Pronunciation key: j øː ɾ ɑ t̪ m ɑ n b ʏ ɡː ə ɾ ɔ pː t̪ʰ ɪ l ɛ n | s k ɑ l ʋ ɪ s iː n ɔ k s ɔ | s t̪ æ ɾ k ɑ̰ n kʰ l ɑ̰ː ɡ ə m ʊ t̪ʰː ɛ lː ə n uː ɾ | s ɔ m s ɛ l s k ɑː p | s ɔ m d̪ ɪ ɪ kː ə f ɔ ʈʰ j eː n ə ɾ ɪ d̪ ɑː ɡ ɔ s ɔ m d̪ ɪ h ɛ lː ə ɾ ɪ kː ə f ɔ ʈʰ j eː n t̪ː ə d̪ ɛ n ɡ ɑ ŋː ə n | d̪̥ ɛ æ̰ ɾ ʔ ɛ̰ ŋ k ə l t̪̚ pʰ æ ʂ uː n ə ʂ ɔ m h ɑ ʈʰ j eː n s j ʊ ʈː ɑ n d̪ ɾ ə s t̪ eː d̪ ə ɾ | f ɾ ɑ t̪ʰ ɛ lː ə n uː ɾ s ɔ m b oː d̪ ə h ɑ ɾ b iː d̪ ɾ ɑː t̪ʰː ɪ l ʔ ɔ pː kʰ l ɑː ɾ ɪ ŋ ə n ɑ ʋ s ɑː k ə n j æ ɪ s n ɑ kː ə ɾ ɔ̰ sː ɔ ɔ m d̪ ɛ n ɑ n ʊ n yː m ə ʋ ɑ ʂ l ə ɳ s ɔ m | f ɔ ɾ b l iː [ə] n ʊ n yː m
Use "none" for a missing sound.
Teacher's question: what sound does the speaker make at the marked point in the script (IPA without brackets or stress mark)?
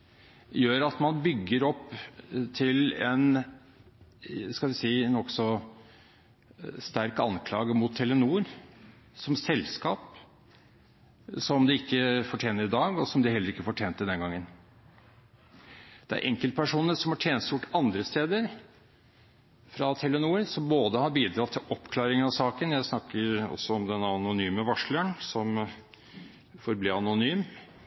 ɑ